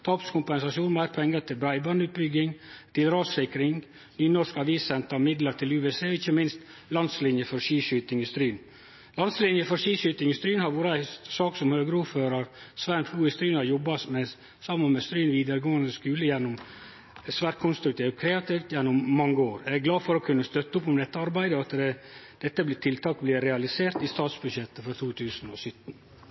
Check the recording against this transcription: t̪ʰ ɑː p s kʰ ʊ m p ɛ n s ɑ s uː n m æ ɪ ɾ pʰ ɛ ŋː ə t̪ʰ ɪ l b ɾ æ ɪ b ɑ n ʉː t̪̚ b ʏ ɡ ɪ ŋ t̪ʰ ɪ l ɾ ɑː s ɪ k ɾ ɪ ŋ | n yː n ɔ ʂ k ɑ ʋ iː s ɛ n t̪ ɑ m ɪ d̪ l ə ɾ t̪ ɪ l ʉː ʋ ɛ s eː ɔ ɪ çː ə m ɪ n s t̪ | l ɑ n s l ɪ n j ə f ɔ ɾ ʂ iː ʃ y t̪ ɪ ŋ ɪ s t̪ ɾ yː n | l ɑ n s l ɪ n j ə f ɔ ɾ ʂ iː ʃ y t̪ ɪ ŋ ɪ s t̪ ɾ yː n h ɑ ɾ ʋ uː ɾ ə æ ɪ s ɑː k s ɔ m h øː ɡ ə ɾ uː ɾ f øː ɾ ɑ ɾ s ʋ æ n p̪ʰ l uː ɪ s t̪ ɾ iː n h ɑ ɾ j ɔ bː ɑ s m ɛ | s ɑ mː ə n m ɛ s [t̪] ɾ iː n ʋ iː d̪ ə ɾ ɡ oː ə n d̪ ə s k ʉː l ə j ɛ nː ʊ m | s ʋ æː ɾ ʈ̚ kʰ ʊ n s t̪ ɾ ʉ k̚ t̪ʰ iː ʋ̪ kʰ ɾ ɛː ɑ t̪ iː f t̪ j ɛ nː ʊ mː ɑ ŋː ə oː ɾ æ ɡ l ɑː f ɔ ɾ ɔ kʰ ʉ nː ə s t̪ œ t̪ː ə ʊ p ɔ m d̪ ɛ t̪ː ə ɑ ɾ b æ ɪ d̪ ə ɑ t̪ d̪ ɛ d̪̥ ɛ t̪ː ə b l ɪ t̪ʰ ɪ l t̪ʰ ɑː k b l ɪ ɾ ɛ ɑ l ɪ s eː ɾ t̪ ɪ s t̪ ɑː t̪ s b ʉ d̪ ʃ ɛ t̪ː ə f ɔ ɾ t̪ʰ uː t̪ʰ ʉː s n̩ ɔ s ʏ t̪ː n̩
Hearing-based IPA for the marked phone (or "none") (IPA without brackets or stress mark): t̪